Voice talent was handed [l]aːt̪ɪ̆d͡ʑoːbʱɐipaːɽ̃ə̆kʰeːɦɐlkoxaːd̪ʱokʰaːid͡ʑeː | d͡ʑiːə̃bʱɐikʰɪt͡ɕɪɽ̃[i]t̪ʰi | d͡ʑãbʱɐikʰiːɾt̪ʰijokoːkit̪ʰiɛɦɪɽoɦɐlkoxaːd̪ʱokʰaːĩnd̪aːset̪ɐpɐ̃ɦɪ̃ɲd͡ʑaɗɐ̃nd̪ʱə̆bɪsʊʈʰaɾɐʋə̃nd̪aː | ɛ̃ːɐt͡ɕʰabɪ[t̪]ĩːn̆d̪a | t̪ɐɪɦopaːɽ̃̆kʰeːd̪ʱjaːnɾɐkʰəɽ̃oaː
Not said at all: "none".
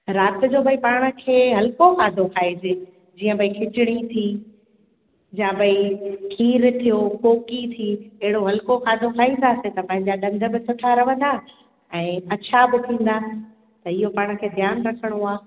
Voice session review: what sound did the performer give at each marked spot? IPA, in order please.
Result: ɾ, i, t̪ʰ

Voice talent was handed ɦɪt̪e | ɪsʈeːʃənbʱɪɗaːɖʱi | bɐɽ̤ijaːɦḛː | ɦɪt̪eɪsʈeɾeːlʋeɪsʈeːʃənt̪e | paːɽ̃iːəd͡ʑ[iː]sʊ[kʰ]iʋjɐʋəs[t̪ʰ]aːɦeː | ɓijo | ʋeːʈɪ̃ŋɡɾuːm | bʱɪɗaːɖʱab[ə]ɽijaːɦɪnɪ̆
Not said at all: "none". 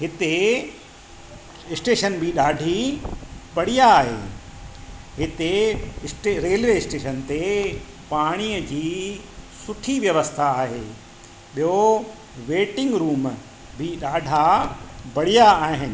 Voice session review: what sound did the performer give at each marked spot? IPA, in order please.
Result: iː, ʈʰ, t̪ʰ, ɐ

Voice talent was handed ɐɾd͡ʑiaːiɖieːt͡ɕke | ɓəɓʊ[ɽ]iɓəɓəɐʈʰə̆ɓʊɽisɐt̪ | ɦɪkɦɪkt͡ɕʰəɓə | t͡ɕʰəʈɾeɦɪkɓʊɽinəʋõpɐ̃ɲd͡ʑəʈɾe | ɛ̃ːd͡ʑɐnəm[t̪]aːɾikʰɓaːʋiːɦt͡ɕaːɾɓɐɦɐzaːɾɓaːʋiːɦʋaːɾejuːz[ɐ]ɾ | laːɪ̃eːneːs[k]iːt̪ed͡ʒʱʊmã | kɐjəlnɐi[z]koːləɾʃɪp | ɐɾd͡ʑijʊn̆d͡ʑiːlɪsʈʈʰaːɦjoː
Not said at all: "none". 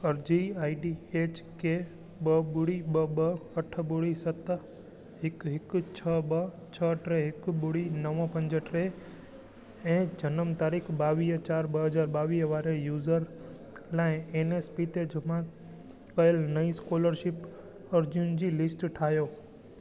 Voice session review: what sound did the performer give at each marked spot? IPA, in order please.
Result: ɽ, t̪, ə, p, s

